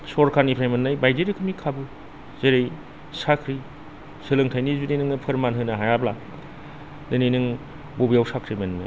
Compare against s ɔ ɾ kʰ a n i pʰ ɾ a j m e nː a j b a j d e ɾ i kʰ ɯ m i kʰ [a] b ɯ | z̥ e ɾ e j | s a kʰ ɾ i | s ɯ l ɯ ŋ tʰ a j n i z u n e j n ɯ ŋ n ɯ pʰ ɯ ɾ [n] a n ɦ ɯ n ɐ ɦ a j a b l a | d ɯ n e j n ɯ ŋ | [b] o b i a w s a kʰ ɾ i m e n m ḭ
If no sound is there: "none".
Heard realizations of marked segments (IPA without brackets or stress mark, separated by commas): a, m, b